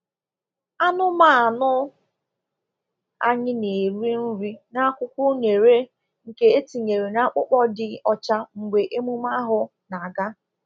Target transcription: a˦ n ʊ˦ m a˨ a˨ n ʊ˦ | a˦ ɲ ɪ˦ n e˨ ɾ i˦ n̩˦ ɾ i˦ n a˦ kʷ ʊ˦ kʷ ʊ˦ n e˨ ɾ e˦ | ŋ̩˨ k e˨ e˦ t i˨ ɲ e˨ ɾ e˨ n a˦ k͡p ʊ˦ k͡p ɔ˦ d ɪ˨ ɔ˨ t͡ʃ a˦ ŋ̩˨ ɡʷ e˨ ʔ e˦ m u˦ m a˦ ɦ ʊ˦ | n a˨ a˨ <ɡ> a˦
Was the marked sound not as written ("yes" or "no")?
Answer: no